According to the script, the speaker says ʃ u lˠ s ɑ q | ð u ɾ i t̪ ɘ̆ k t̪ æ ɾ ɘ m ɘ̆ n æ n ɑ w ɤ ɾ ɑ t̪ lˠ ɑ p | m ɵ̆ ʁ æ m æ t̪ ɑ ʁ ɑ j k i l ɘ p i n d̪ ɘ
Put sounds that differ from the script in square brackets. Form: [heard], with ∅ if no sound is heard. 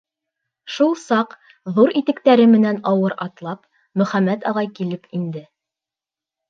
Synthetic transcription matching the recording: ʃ u lˠ s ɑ q | ð u ɾ i t̪ ɘ̆ k t̪ æ ɾ ɘ m ɘ̆ n æ n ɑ w ɤ ɾ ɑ t̪ lˠ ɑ p | m ɵ̆ [χ] æ m æ t̪ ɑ ʁ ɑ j k i l ɘ p i n d̪ ɘ